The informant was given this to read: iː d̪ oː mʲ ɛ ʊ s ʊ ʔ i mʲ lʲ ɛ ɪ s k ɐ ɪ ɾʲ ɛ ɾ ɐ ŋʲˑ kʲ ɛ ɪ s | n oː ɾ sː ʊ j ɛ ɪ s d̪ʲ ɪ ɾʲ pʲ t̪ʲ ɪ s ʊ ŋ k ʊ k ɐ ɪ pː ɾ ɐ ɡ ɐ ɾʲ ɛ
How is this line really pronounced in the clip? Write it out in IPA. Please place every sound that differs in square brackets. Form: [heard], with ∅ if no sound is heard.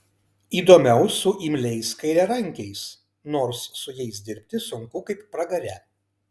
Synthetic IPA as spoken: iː d̪ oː mʲ ɛ ʊ s ʊ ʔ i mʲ lʲ ɛ ɪ s k ɐ ɪ ɾʲ ɛ ɾ ɐ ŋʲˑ kʲ ɛ ɪ s | n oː ɾ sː ʊ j ɛ ɪ s d̪ʲ ɪ ɾʲ pʲ t̪ʲ ɪ s ʊ ŋ k ʊ k ɐ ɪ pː ɾ ɐ ɡ ɐ ɾʲ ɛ

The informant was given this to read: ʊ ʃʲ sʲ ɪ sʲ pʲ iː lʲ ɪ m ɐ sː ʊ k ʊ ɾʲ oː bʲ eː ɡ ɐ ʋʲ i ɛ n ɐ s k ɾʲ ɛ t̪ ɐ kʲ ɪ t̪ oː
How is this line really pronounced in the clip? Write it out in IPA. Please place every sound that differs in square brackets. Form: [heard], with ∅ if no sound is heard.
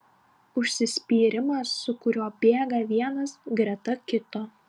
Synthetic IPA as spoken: ʊ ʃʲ sʲ ɪ sʲ pʲ iː [ɾʲ] ɪ m ɐ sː ʊ k ʊ ɾʲ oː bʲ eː ɡ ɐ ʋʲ i ɛ n ɐ s [ɡ] ɾʲ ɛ t̪ ɐ kʲ ɪ t̪ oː

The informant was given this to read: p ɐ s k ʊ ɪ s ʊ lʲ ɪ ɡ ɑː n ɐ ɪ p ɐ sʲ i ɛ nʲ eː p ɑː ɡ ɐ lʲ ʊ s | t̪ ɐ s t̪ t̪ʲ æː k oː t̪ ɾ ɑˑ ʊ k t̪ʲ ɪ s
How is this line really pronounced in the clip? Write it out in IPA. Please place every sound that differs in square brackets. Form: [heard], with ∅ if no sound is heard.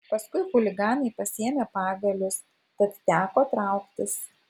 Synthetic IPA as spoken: p ɐ s k ʊ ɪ [x] ʊ lʲ ɪ ɡ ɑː n ɐ ɪ p ɐ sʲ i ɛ [mʲ] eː p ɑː ɡ ɐ lʲ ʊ s | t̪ ɐ [∅] t̪ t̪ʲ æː k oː t̪ ɾ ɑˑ ʊ k t̪ʲ ɪ s

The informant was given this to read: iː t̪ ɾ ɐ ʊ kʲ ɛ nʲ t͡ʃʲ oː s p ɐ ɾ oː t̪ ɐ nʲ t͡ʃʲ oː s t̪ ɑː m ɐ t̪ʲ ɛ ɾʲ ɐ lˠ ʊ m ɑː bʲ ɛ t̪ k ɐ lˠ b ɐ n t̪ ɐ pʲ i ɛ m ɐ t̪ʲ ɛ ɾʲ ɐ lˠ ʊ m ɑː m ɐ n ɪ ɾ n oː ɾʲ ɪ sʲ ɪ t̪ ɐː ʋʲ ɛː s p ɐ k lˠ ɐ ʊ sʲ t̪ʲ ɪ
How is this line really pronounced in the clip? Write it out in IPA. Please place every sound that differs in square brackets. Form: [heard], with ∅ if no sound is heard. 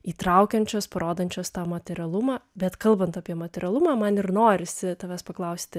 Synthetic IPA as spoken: iː t̪ ɾ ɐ ʊ kʲ ɛ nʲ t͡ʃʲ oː s p ɐ ɾ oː [d̪] ɐ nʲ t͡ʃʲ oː s t̪ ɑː m ɐ t̪ʲ ɛ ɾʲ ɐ lˠ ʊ m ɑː bʲ ɛ t̪ k ɐ lˠ b ɐ n t̪ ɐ pʲ i ɛ m ɐ t̪ʲ ɛ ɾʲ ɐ lˠ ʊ m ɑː m ɐ n ɪ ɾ n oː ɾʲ ɪ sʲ ɪ t̪ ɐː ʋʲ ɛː s p ɐ k lˠ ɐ ʊ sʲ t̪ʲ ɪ

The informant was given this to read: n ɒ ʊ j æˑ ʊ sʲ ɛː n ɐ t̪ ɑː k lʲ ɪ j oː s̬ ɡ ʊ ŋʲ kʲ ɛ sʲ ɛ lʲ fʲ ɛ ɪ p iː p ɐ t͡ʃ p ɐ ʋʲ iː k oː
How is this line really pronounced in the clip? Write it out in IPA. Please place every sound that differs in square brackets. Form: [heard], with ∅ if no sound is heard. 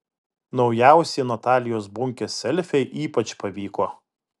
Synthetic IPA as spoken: n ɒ ʊ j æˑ ʊ sʲ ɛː n ɐ t̪ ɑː [∅] lʲ ɪ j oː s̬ [b] ʊ ŋʲ kʲ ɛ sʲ ɛ lʲ fʲ ɛ ɪ [ʔ] iː p ɐ t͡ʃ p ɐ ʋʲ iː k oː

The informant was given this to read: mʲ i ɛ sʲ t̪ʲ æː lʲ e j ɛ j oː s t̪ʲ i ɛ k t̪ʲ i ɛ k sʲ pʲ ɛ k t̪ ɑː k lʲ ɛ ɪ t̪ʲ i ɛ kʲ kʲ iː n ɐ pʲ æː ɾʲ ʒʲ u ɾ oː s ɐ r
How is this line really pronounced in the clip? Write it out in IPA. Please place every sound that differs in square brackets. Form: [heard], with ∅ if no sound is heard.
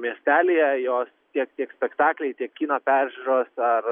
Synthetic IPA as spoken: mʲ i ɛ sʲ t̪ʲ æː lʲ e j ɛ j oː s t̪ʲ i ɛ k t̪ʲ i ɛ k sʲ pʲ ɛ k t̪ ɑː k lʲ ɛ ɪ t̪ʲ i ɛ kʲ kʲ iː n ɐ pʲ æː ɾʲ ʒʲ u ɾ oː s ɐ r

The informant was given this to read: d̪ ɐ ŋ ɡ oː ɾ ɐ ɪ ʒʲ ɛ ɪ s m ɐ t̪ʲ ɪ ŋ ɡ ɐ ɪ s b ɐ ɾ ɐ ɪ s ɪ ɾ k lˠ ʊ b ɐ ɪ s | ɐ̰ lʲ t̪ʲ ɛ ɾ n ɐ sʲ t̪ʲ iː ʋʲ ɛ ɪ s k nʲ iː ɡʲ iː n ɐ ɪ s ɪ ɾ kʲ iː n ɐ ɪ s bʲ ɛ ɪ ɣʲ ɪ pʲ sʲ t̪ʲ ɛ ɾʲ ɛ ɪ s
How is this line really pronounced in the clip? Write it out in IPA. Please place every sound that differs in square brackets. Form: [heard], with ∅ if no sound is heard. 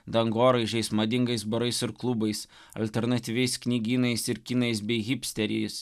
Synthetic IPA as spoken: d̪ ɐ ŋ ɡ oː ɾ ɐ ɪ ʒʲ ɛ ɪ s m ɐ [d̪ʲ] ɪ ŋ ɡ ɐ ɪ s b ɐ ɾ ɐ ɪ s ɪ ɾ k lˠ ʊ b ɐ ɪ s | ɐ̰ lʲ t̪ʲ ɛ ɾ n ɐ [∅] t̪ʲ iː ʋʲ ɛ ɪ s k nʲ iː ɡʲ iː n ɐ ɪ s ɪ ɾ kʲ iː n ɐ ɪ s bʲ ɛ ɪ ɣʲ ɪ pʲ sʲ t̪ʲ ɛ ɾʲ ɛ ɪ s

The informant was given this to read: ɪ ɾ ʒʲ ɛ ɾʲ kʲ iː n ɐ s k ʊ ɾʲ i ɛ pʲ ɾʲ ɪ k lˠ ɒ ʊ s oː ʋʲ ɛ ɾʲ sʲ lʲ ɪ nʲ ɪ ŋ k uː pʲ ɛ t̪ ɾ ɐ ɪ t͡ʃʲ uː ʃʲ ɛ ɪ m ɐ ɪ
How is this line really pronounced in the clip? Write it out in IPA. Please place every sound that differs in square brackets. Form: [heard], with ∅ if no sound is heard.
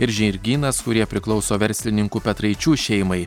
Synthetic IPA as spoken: ɪ ɾ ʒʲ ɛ ɾʲ [ɡʲ] iː n ɐ s k ʊ ɾʲ i ɛ pʲ ɾʲ ɪ k lˠ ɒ ʊ s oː ʋʲ ɛ ɾʲ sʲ lʲ ɪ nʲ ɪ ŋ k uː pʲ ɛ t̪ ɾ ɐ ɪ t͡ʃʲ uː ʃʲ ɛ ɪ m ɐ ɪ

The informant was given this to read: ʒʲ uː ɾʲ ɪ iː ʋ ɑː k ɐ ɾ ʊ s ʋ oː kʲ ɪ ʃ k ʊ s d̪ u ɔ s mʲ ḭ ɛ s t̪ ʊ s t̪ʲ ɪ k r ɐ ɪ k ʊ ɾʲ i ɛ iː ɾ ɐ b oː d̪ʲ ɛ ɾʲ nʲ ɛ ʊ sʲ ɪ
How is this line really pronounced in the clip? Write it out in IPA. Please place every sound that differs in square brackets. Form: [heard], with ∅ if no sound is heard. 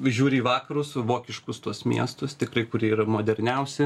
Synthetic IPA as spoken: ʒʲ uː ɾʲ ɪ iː ʋ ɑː k ɐ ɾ ʊ s ʋ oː kʲ ɪ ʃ k ʊ s [t̪] u ɔ s mʲ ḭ ɛ s t̪ ʊ s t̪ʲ ɪ k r ɐ ɪ k ʊ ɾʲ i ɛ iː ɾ ɐ [m] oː d̪ʲ ɛ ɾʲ nʲ ɛ ʊ sʲ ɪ

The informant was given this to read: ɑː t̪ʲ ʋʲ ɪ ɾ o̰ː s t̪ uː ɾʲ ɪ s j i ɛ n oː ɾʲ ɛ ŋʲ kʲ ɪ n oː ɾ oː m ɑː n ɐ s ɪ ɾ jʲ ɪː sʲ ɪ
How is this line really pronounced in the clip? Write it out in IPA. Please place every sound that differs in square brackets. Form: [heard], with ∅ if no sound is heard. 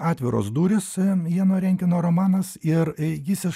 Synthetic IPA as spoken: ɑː t̪ʲ ʋʲ ɪ ɾ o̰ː s [d̪] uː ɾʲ ɪ s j i ɛ n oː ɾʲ ɛ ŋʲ kʲ ɪ n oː ɾ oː m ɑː n ɐ s ɪ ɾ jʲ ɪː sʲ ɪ

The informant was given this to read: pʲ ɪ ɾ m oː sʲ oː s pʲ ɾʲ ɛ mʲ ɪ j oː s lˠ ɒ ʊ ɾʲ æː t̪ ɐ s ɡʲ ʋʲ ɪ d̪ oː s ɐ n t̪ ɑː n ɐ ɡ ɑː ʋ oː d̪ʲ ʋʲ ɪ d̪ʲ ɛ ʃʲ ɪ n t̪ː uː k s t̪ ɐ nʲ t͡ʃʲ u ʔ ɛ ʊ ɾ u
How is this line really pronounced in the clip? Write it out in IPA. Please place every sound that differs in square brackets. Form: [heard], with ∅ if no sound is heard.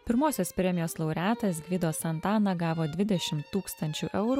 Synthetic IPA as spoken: pʲ ɪ ɾ m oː sʲ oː s pʲ ɾʲ ɛ mʲ ɪ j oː s lˠ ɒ ʊ ɾʲ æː t̪ ɐ s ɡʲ ʋʲ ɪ d̪ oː s ɐ n t̪ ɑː n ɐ ɡ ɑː ʋ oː d̪ʲ ʋʲ ɪ d̪ʲ ɛ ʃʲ ɪ [m] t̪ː uː k s t̪ ɐ nʲ t͡ʃʲ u ʔ ɛ ʊ ɾ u

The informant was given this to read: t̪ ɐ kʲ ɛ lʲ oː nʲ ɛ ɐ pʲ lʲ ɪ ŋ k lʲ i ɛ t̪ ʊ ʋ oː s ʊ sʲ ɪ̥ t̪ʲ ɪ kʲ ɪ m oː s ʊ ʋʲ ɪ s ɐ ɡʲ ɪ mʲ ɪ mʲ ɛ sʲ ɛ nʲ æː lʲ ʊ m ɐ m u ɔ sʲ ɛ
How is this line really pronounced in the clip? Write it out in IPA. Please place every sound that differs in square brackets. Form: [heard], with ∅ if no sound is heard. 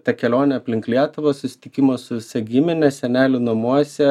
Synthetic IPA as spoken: t̪ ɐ kʲ ɛ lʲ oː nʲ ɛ ɐ pʲ lʲ ɪ ŋ k lʲ i ɛ t̪ ʊ ʋ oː s ʊ sʲ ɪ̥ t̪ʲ ɪ kʲ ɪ m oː s ʊ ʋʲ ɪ s ɐ ɡʲ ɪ mʲ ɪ [nʲ] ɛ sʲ ɛ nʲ æː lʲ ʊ [n] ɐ m u ɔ sʲ ɛ

